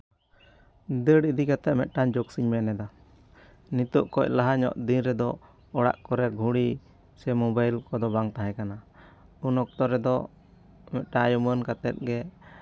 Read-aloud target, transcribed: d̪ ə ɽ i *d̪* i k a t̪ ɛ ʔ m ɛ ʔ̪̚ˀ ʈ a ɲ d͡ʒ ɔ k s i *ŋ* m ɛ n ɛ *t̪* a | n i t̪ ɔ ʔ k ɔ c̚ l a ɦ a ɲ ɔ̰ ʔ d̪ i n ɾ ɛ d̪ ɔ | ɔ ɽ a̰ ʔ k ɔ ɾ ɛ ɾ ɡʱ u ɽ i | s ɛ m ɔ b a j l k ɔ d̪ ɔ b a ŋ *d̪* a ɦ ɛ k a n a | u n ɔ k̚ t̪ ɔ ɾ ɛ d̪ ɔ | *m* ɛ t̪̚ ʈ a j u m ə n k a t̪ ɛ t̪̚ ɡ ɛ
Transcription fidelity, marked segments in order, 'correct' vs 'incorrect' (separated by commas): correct, incorrect, incorrect, incorrect, correct